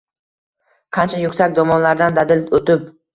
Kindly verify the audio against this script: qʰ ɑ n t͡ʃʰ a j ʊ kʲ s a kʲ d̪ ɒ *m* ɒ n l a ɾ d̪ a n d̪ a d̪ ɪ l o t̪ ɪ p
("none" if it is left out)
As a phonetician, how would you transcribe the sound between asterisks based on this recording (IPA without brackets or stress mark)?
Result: m